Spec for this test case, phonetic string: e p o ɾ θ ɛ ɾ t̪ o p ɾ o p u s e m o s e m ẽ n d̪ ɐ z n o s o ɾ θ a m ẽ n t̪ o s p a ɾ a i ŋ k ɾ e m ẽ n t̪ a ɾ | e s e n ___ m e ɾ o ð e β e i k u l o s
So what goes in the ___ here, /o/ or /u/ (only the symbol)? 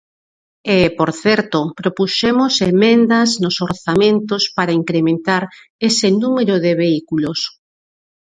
u